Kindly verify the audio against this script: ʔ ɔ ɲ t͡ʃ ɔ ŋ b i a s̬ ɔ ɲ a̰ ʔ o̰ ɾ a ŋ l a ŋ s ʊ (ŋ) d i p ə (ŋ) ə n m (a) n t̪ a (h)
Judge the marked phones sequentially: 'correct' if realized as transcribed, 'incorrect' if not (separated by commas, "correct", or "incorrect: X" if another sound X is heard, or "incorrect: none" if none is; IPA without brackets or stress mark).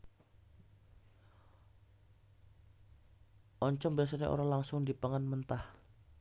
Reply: correct, correct, incorrect: ə, correct